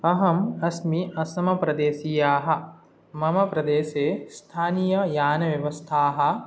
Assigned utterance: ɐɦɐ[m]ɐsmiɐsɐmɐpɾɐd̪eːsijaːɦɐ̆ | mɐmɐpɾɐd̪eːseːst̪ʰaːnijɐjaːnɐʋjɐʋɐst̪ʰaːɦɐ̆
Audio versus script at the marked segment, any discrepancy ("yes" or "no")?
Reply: no